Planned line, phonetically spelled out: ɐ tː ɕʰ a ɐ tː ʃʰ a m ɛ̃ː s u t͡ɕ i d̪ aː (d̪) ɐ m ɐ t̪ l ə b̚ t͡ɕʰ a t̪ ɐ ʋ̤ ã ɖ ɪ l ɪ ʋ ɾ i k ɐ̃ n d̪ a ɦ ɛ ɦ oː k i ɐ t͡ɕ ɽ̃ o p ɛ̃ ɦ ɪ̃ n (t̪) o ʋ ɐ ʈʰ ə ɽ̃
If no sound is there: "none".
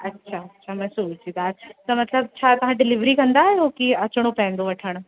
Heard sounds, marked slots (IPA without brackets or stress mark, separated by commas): t̪, d̪